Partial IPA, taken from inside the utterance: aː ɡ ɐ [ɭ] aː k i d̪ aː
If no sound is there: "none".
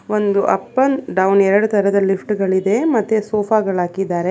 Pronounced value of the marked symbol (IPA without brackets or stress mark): ɭ